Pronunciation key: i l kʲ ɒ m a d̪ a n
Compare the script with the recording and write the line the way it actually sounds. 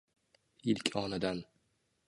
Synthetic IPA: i l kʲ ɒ n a d̪ a n